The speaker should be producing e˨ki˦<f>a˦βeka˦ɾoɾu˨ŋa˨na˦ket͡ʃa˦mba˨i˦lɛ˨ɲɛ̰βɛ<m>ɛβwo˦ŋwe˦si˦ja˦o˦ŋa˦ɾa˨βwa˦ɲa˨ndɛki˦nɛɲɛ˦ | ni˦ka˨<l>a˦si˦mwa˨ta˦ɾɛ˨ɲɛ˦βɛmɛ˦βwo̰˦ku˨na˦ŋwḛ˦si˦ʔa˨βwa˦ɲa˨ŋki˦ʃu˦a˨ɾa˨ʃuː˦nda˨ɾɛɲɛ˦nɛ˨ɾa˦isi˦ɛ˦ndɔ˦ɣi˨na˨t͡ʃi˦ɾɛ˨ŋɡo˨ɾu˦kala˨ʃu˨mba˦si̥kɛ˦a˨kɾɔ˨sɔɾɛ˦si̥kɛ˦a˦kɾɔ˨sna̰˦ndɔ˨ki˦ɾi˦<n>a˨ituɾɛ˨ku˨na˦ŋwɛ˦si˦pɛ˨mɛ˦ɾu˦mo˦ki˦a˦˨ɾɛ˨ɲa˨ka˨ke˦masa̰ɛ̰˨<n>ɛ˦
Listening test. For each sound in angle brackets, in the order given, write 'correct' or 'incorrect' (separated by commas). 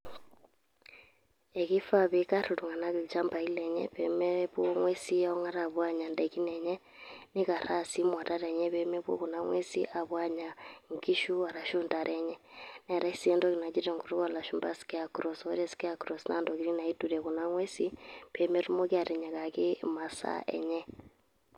correct, correct, incorrect, correct, incorrect